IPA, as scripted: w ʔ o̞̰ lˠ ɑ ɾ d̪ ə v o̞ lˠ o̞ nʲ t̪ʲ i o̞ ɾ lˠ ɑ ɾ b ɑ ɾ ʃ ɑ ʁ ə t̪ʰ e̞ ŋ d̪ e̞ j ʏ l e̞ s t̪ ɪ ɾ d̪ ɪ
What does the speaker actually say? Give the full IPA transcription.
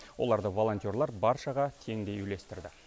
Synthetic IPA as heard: w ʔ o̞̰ lˠ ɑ ɾ d̪ ə v o̞ lˠ o̞ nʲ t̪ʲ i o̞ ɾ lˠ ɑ ɾ b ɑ ɾ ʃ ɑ ʁ ɑ t̪ʰ e̞ ŋ d̪ e̞ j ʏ l e̞ s t̪ ɪ ɾ d̪ ɪ